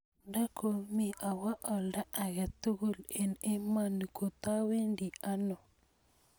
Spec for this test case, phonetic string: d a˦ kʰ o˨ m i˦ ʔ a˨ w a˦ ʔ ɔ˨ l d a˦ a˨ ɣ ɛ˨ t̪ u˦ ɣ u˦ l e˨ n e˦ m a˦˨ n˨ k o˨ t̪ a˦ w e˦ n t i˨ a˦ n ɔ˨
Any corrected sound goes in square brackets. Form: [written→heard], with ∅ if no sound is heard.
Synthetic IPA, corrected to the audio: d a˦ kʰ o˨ m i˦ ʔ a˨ w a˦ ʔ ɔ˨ l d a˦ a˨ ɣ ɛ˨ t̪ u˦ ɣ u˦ l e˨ n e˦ m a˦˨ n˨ k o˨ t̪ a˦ w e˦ n [t→d] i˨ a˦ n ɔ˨